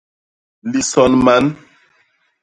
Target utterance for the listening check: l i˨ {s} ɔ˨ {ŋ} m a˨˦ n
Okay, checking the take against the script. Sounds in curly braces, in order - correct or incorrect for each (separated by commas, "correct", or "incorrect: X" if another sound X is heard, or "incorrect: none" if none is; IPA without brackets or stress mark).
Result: correct, incorrect: n